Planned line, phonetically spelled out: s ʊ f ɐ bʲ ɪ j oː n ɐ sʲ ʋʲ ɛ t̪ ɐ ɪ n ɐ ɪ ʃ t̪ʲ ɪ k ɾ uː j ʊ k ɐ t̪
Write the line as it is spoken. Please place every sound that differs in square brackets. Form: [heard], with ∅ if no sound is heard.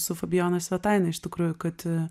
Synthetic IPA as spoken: s ʊ f ɐ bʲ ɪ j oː n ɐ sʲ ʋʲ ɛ t̪ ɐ ɪ n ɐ ɪ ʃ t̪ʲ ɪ k ɾ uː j ʊ k ɐ t̪